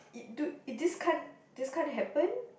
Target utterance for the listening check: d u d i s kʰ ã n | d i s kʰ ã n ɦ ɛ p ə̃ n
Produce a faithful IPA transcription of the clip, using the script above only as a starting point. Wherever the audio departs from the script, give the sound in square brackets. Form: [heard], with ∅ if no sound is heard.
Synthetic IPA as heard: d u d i s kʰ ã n | d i s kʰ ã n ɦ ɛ p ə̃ n